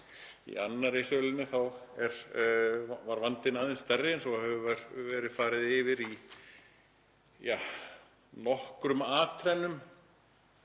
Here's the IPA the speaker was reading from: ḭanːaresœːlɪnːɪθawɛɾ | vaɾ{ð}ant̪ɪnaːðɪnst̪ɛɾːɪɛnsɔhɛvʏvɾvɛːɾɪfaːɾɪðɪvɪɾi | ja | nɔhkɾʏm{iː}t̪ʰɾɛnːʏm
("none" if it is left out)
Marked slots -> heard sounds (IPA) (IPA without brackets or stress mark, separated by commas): v, aː